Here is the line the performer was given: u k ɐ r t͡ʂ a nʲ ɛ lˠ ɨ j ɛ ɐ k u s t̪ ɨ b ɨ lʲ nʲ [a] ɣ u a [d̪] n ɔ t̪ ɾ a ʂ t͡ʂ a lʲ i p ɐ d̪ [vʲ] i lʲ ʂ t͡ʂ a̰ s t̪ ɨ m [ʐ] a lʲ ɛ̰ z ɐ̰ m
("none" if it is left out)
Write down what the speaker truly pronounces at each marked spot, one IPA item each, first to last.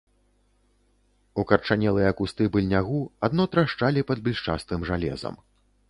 a, d̪, bʲ, ʐ

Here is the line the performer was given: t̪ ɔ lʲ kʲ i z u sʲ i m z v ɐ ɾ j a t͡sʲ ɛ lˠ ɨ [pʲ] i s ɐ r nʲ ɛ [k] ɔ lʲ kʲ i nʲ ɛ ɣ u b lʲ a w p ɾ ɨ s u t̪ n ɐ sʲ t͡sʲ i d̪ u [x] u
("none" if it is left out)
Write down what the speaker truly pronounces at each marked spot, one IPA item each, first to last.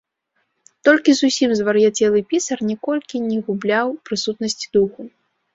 pʲ, k, x

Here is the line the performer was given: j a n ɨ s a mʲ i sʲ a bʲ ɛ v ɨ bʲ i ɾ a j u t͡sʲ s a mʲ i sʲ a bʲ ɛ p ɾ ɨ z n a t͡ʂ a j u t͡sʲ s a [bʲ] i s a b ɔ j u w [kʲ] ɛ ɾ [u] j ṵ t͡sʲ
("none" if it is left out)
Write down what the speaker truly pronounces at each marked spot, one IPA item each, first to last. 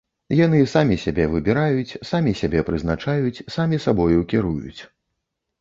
mʲ, kʲ, u

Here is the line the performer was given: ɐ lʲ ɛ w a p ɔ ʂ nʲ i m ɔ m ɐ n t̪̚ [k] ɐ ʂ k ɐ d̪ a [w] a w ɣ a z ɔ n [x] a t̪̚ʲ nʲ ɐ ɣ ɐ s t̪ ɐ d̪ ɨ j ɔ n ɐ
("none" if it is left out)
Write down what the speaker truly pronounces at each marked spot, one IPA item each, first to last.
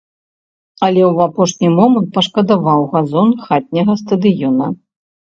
p, v, x

